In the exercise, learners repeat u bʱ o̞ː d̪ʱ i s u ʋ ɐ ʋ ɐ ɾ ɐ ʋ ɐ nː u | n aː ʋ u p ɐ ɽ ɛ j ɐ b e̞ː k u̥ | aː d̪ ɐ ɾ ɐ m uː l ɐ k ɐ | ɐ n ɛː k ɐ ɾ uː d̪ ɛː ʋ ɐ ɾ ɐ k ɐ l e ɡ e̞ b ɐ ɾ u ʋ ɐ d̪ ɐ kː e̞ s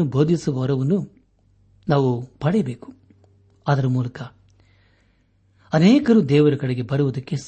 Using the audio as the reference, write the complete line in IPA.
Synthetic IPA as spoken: u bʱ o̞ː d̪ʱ i s u ʋ ɐ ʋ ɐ ɾ ɐ ʋ ɐ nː u | n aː ʋ u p ɐ ɽ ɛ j ɐ b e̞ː k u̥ | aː d̪ ɐ ɾ ɐ m uː l ɐ k ɐ | ɐ n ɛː k ɐ ɾ uː d̪ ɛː ʋ ɐ ɾ ɐ k ɐ ɽ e ɡ e̞ b ɐ ɾ u ʋ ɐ d̪ ɐ kː e̞ s